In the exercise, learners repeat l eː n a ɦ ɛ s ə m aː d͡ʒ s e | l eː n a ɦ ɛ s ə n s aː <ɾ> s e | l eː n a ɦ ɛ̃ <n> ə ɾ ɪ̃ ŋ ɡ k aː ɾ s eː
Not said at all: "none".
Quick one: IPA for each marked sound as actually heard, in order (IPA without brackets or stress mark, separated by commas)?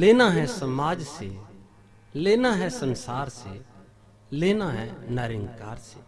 ɾ, n